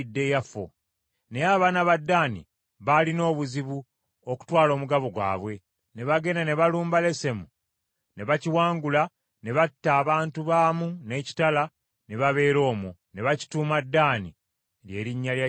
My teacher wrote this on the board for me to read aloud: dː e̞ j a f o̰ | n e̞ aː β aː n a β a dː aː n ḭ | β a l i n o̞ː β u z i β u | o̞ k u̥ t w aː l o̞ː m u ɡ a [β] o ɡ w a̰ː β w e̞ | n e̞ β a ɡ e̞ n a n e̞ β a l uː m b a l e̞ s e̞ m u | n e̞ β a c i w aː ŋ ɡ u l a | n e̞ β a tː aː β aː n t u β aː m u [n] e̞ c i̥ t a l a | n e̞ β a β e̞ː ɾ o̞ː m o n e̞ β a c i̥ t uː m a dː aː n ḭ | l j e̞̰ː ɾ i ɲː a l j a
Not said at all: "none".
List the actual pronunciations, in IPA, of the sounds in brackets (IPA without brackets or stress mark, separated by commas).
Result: β, n